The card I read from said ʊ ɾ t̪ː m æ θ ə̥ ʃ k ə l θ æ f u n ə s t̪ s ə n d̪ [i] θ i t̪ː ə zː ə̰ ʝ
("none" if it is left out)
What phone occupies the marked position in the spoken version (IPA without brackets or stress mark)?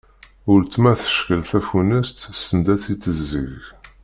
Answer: æ